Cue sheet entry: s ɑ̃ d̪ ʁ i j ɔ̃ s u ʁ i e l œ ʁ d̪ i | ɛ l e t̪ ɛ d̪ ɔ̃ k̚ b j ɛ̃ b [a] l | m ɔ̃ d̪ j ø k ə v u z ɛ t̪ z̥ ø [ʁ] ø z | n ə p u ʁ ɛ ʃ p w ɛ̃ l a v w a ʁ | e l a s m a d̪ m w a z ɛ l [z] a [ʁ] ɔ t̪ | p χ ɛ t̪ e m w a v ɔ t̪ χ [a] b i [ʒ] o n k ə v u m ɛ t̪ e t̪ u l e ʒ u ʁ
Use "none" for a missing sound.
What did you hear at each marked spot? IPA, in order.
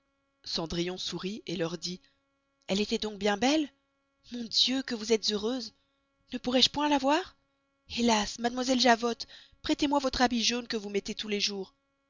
ɛ, ʁ, ʒ, v, a, ʒ

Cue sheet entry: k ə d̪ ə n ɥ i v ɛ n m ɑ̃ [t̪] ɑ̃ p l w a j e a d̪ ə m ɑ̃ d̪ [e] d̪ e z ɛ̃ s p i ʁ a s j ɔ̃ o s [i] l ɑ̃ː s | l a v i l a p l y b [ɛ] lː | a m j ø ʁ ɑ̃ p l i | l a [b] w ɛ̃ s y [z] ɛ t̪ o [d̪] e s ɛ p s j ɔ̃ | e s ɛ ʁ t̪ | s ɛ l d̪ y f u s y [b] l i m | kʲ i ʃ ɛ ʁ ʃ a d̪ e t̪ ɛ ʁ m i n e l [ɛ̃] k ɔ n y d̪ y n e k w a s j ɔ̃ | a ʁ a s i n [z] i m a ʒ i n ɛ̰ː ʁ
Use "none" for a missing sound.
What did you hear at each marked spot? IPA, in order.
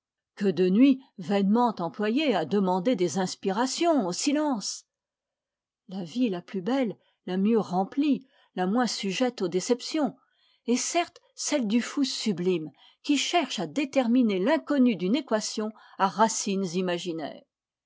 t̪, e, i, ɛ, m, ʒ, d̪, b, ɛ̃, z

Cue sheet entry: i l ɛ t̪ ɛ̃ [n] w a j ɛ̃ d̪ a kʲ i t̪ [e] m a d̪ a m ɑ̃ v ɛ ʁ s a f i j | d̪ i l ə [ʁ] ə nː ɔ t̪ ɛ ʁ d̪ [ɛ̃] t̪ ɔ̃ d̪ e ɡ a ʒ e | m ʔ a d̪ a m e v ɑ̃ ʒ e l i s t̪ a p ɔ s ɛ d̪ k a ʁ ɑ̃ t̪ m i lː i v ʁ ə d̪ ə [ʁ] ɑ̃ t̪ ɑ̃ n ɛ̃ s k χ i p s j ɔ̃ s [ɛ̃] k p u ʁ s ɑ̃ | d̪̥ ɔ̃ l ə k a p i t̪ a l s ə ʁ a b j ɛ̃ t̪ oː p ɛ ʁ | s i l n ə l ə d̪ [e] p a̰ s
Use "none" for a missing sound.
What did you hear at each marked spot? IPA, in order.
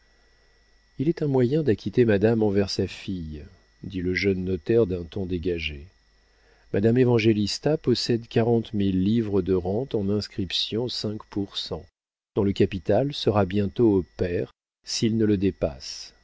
m, e, ʒ, ɛ̃, ʁ, ɛ̃, e

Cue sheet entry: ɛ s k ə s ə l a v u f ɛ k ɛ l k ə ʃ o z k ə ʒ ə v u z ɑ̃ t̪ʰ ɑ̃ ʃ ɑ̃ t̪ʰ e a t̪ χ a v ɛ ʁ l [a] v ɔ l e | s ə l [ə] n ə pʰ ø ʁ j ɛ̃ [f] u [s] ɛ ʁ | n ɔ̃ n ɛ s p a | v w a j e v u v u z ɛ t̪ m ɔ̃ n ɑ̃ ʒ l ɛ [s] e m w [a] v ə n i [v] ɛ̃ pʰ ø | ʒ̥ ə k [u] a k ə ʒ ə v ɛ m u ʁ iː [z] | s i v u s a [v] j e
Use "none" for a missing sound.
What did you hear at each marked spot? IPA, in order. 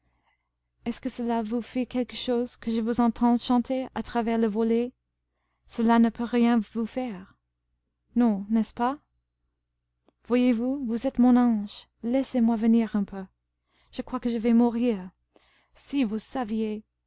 ə, a, v, f, s, a, ʁ, w, ʁ, v

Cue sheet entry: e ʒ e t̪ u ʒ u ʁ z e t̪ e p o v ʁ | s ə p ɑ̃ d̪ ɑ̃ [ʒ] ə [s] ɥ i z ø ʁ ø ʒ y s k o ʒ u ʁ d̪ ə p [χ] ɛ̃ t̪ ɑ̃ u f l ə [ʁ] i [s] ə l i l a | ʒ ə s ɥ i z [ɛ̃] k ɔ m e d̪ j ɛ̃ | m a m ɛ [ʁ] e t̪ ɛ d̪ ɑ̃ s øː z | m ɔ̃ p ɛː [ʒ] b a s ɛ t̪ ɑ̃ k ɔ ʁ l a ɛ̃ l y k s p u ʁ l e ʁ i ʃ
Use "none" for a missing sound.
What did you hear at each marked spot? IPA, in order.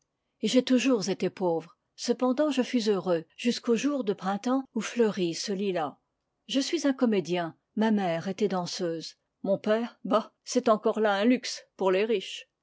ʒ, f, χ, ʁ, s, ɛ̃, ʁ, ʁ

